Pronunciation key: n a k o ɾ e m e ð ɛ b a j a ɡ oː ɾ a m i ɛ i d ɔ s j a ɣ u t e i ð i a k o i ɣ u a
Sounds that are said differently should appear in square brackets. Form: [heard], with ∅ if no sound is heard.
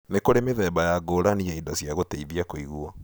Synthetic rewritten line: n [e] k o ɾ e m e ð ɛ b a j a ɡ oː ɾ a [n] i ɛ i d ɔ s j a ɣ [o] t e i ð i a k o i ɣ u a